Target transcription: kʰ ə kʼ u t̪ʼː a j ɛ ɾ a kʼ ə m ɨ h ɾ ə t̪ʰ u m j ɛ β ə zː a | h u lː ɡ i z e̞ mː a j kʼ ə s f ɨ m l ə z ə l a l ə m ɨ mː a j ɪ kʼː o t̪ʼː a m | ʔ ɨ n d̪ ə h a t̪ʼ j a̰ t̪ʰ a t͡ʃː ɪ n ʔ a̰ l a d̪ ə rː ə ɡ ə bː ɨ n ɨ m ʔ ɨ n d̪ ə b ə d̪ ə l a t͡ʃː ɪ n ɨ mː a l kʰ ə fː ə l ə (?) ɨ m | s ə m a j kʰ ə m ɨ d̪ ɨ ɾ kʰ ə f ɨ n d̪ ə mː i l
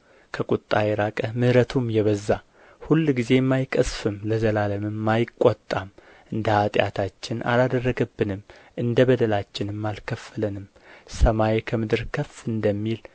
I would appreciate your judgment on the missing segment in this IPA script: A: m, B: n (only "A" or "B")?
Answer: B